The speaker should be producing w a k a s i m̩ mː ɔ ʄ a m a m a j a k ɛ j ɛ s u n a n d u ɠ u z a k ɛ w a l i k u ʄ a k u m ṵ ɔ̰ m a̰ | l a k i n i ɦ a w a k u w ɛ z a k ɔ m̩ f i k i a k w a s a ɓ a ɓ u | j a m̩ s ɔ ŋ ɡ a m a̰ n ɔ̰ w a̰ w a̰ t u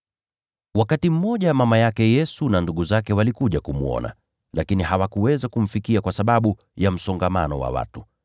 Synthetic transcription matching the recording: w a k a t i m̩ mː ɔ ʄ a m a m a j a k ɛ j ɛ s u n a n d u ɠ u z a k ɛ w a l i k u ʄ a k u m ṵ ɔ̰ n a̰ | l a k i n i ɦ a w a k u w ɛ z a k u m̩ f i k i a k w a s a ɓ a ɓ u | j a m̩ s ɔ ŋ ɡ a m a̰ n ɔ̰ w a̰ w a̰ t u

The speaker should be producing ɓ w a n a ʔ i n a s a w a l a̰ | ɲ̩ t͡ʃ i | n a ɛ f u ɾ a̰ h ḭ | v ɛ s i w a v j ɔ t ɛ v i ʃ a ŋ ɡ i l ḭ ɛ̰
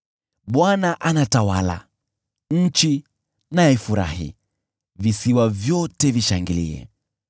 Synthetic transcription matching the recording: ɓ w a n a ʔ a n a t a w a l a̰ | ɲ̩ t͡ʃ i | n a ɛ f u ɾ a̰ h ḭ | v i s i w a v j ɔ t ɛ v i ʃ a ŋ ɡ i l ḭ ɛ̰

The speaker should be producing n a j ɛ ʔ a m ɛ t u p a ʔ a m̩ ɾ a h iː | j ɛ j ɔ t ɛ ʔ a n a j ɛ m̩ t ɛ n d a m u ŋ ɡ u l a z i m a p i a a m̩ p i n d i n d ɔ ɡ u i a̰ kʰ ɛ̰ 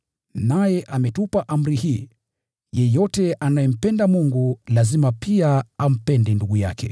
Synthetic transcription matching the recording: n a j ɛ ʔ a m ɛ t u p a ʔ a m̩ ɾ i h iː | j ɛ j ɔ t ɛ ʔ a n a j ɛ m̩ p ɛ n d a m u ŋ ɡ u l a z i m a p i a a m̩ p ɛ n d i n d u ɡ u j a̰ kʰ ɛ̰

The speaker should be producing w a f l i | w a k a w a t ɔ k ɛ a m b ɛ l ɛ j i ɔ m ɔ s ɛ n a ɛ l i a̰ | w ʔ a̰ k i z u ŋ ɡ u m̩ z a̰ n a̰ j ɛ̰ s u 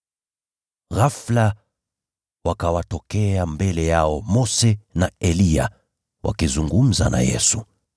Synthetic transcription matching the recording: ɣ a f l a | w a k a w a t ɔ k ɛ a m b ɛ l ɛ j a ɔ m ɔ s ɛ n a ɛ l i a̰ | w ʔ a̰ k i z u ŋ ɡ u m̩ z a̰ n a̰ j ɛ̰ s u

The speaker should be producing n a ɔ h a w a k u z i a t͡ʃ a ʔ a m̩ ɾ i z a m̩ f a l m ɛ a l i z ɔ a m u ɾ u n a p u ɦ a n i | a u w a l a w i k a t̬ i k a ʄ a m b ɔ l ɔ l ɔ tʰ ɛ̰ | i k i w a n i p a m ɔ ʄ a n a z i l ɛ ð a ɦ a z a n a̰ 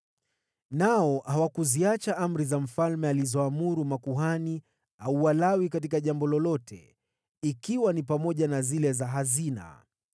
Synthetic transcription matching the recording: n a ɔ h a w a k u z i a t͡ʃ a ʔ a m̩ ɾ i z a m̩ f a l m ɛ a l i z ɔ a m u ɾ u m a k u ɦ a n i | a u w a l a w i k a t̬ i k a ʄ a m b ɔ l ɔ l ɔ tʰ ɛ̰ | i k i w a n i p a m ɔ ʄ a n a z i l ɛ z a ɦ a z i n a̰

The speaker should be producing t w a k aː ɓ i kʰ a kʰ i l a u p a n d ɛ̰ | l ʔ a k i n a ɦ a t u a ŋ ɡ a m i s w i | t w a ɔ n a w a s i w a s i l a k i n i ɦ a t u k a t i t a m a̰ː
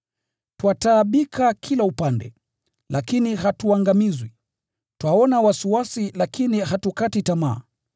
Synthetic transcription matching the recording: t w a t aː ɓ i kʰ a kʰ i l a u p a n d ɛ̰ | l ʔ a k i n i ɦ a t u a ŋ ɡ a m i z w i | t w a ɔ n a w a s i w a s i l a k i n i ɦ a t u k a t i t a m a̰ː

